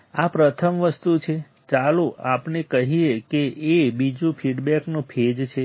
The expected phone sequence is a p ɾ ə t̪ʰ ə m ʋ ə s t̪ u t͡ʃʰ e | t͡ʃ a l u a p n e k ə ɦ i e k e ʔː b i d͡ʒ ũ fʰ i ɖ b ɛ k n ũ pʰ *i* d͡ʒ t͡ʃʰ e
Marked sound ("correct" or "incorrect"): incorrect